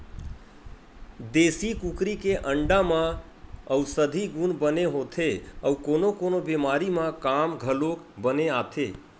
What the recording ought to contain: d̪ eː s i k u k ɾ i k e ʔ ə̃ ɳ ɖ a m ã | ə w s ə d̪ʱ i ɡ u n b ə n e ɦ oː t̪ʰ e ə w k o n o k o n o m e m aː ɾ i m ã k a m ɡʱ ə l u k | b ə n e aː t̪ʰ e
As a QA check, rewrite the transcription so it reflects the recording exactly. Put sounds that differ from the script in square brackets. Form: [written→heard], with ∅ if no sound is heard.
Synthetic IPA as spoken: d̪ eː s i k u k ɾ i k e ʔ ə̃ ɳ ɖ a m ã | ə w s ə d̪ʱ i ɡ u n b ə n e ɦ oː t̪ʰ e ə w k o n o k o n o [m→b] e m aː ɾ i m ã k a m ɡʱ ə l [u→o] k | b ə n e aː t̪ʰ e